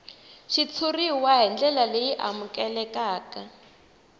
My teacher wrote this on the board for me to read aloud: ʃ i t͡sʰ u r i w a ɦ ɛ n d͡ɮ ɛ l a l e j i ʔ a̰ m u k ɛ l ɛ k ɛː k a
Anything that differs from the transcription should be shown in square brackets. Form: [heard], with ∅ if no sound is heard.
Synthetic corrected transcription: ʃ i t͡sʰ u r i w a ɦ ɛ n d͡ɮ ɛ l a l e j i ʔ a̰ m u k ɛ l ɛ k [aː] k a